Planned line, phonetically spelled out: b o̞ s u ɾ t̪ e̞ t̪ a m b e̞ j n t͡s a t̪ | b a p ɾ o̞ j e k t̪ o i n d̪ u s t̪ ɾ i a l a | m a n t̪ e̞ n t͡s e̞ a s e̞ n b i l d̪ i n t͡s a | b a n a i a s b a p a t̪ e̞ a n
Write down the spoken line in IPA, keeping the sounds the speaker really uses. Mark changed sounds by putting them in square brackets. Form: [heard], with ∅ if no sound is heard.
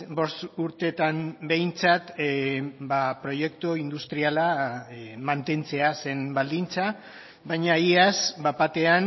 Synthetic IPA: b o̞ s u ɾ t̪ e̞ t̪ a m b e̞ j n t͡s a t̪ | b a p ɾ o̞ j e k t̪ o i n d̪ u s t̪ ɾ i a l a | m a n t̪ e̞ n t͡s e̞ a s e̞ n b [a] l d̪ i n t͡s a | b a [ɲ] a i a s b a p a t̪ e̞ a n